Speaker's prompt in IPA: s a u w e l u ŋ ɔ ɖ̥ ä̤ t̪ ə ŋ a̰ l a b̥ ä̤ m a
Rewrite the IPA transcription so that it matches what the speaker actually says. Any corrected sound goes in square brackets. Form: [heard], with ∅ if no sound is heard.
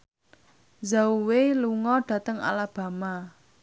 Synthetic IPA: [z] a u w e l u ŋ ɔ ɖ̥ ä̤ t̪ ə ŋ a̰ l a b̥ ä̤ m a